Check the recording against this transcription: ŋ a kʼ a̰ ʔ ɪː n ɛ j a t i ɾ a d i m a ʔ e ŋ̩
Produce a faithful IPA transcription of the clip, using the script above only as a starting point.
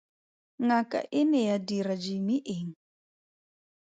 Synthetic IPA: ŋ a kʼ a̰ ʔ ɪ n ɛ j a d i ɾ a d͡ʒ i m i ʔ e ŋ̩